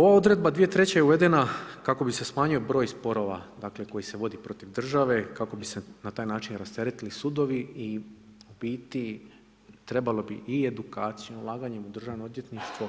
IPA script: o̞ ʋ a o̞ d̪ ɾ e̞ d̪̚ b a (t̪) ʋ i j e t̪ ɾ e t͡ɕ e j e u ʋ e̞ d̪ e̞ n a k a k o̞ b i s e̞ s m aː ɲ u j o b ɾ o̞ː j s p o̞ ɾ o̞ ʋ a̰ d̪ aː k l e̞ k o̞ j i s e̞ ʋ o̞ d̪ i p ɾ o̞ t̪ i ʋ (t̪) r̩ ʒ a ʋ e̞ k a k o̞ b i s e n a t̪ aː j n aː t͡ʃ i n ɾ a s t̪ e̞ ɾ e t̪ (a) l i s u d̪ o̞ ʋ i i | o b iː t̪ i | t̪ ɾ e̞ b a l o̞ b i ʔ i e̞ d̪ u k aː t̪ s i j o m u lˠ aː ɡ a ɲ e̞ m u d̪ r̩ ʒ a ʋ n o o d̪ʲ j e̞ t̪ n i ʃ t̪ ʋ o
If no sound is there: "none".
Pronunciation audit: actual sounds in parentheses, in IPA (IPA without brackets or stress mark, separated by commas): d̪, d̪, i